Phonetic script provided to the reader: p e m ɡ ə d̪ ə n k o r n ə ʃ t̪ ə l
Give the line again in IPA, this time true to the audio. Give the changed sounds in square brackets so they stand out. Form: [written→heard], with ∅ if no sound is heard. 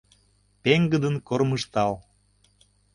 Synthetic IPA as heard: p e [m→ŋ] ɡ ə d̪ ə n k o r [n→m] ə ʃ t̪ [ə→ɑ] l